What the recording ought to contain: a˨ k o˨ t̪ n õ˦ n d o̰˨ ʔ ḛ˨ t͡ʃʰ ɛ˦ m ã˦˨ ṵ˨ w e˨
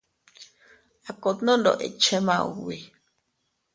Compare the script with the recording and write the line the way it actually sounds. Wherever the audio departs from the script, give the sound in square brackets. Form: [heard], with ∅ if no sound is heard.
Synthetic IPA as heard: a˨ k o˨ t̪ n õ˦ n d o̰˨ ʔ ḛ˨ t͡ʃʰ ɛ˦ m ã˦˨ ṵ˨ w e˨